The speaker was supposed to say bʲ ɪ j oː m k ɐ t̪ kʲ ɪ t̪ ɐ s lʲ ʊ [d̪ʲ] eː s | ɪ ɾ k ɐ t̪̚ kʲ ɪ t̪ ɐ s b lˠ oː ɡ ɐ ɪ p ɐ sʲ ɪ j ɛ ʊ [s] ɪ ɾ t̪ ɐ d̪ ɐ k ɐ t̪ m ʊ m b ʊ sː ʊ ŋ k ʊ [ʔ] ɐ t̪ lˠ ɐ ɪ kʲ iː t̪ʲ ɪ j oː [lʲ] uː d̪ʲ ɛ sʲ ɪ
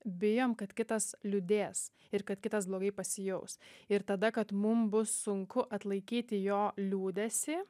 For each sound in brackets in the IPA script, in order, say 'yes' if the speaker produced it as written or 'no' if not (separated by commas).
yes, yes, yes, yes